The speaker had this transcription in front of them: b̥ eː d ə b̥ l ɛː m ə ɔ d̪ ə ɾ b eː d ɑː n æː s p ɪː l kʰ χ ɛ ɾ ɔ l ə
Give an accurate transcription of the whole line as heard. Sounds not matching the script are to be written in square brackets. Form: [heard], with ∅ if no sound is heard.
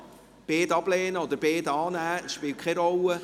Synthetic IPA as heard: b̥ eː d [ɑ] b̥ l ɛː [n] ə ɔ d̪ ə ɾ b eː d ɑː n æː [ʃ] p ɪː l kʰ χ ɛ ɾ ɔ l ə